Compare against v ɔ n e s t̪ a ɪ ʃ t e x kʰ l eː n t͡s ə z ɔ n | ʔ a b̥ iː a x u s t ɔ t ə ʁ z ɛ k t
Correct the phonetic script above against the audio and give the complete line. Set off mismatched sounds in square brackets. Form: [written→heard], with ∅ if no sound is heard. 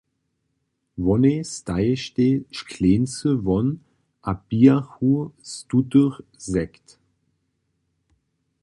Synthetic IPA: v ɔ n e s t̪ a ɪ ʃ t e [x→ʃ] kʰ l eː n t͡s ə [z→v] ɔ n | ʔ a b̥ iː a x u s t [ɔ→u] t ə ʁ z ɛ k t